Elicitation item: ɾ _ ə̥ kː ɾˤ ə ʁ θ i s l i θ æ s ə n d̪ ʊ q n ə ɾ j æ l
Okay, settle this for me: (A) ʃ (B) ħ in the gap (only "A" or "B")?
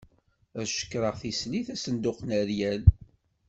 A